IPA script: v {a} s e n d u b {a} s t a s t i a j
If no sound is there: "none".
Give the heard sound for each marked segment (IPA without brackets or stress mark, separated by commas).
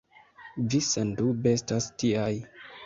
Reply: i, e